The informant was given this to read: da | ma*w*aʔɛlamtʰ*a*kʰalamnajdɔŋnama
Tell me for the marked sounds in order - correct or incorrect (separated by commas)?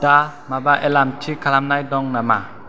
incorrect, incorrect